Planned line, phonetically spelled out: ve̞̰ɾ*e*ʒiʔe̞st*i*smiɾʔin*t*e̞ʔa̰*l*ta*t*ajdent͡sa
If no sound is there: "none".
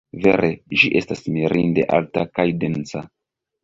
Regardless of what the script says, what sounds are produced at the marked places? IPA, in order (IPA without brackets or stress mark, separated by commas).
e, a, d, l, k